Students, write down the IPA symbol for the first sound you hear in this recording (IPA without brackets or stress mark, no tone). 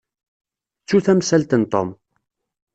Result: t͡sː